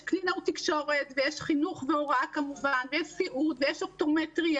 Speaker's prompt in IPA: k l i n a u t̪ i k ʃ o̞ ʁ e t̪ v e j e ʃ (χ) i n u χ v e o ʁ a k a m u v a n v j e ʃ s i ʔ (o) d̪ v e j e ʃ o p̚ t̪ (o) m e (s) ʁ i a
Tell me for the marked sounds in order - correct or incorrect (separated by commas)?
correct, incorrect, correct, incorrect